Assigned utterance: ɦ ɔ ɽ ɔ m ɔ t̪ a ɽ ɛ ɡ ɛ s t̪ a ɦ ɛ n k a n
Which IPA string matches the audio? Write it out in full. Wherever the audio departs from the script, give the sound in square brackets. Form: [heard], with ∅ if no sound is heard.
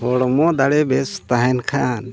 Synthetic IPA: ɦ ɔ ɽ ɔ m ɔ [d̪] a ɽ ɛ [b] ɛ s t̪ a ɦ ɛ n [kʰ] a n